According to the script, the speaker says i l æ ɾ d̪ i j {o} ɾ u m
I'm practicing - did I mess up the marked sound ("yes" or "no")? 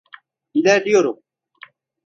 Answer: no